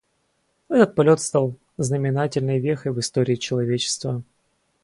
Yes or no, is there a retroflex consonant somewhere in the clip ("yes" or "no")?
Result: no